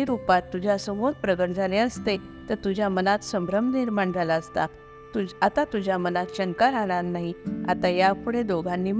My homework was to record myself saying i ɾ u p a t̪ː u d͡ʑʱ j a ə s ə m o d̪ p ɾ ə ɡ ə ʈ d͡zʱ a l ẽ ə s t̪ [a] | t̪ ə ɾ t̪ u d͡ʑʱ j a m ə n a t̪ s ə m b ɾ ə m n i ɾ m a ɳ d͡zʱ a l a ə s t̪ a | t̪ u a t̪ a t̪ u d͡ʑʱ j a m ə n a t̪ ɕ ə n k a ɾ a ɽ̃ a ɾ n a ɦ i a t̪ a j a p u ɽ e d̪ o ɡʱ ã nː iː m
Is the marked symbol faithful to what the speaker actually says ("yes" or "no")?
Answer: no